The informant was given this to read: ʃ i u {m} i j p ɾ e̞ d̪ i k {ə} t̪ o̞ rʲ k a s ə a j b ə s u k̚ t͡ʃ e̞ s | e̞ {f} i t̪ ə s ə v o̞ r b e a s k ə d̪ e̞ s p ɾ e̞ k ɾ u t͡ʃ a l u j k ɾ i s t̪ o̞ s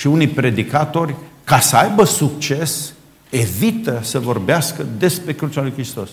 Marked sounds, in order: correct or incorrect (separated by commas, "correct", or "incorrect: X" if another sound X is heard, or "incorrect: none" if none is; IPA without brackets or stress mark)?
incorrect: n, incorrect: a, incorrect: v